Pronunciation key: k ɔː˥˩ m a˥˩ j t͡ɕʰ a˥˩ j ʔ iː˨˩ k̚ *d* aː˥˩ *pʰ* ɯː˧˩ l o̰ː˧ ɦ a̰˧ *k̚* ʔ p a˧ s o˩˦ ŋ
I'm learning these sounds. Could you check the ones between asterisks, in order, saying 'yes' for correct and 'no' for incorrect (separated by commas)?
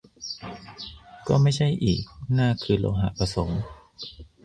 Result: no, no, no